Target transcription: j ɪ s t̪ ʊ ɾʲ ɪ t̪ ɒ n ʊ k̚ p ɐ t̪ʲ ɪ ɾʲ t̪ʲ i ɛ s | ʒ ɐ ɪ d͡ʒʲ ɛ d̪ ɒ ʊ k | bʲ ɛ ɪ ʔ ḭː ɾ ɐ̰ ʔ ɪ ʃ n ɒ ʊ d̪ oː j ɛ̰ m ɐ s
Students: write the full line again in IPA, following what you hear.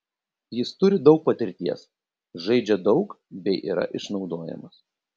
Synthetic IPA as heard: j ɪ s t̪ ʊ ɾʲ ɪ d̪ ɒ ʊ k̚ p ɐ t̪ʲ ɪ ɾʲ t̪ʲ i ɛ s | ʒ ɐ ɪ d͡ʒʲ ɛ d̪ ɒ ʊ k | bʲ ɛ ɪ ʔ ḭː ɾ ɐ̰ ʔ ɪ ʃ n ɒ ʊ d̪ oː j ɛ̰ m ɐ s